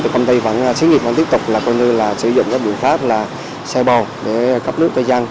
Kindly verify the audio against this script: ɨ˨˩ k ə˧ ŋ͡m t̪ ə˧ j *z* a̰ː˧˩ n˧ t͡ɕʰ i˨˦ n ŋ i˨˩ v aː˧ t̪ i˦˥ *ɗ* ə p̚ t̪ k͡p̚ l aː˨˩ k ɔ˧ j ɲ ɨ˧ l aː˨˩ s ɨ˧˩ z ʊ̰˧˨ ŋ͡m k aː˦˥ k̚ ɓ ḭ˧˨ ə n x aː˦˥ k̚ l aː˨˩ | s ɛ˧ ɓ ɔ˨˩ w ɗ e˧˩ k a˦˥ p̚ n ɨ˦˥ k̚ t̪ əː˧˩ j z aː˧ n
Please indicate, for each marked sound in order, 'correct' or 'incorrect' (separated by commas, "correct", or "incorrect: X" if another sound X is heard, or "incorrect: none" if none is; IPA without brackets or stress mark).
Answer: incorrect: v, incorrect: none